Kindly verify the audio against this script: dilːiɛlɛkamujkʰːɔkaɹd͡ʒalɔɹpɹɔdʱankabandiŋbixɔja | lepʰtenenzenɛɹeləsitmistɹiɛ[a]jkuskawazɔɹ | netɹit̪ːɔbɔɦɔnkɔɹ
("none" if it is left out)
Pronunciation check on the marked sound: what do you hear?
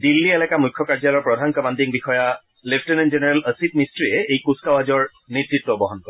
e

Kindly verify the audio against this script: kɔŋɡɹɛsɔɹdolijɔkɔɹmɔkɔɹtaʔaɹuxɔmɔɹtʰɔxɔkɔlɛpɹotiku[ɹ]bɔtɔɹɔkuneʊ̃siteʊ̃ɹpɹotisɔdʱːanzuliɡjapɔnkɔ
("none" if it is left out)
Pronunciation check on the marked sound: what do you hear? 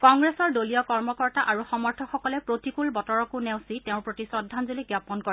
l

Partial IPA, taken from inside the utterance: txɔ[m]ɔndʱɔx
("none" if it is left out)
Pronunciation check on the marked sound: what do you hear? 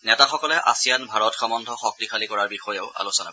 m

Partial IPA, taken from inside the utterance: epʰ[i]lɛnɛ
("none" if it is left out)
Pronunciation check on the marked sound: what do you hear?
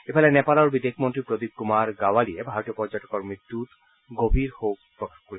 a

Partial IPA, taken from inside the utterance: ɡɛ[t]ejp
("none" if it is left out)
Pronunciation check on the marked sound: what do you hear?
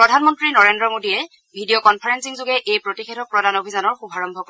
ʔ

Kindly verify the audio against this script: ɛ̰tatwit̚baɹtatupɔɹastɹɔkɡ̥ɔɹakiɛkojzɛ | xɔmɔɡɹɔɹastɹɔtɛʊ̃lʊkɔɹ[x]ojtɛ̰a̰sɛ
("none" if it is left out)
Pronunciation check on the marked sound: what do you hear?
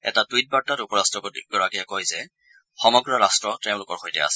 x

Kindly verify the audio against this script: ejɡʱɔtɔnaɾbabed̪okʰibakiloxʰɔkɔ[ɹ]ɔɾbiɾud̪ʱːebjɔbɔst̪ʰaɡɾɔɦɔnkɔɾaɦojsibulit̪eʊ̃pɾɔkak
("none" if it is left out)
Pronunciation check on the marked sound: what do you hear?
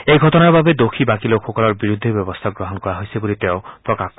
l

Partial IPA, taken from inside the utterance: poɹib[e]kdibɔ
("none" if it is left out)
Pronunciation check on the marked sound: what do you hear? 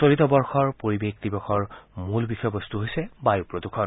e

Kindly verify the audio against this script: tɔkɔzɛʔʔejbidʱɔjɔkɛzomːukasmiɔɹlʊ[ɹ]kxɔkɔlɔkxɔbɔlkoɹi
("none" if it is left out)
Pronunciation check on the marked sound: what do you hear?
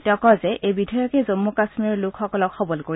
none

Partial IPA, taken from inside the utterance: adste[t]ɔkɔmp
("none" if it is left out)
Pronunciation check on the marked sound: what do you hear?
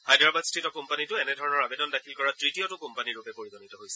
t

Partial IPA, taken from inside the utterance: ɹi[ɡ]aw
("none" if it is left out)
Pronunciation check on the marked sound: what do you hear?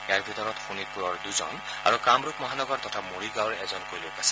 ɡ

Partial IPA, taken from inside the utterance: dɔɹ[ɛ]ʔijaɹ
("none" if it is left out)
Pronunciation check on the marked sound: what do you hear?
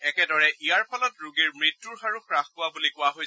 ɛ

